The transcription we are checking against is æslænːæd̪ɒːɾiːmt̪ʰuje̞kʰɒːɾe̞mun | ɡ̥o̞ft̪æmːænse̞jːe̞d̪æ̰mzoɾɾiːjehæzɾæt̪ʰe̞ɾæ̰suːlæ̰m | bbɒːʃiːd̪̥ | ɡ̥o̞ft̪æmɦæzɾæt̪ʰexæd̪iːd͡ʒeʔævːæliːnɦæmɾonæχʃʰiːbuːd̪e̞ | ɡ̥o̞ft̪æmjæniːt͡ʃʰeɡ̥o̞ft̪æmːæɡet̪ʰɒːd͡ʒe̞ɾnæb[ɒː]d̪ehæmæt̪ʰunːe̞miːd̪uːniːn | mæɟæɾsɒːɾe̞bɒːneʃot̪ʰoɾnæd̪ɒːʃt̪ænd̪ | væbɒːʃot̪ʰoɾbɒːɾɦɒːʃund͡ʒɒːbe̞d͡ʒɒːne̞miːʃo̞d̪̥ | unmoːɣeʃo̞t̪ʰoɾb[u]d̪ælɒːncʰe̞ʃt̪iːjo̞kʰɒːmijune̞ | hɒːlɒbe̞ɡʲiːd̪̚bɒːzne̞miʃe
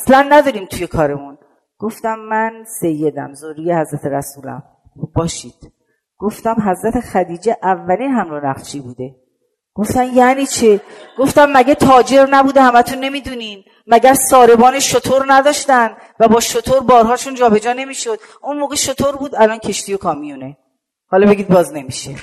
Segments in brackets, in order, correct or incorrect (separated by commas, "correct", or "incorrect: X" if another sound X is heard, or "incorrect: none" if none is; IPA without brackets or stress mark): incorrect: uː, incorrect: uː